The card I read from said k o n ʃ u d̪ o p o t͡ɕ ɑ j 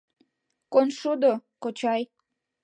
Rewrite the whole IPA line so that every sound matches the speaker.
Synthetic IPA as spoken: k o n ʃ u d̪ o k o t͡ɕ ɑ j